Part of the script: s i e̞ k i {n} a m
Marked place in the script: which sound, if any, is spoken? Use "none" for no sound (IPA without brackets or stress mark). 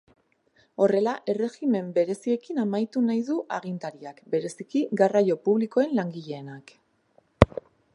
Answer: n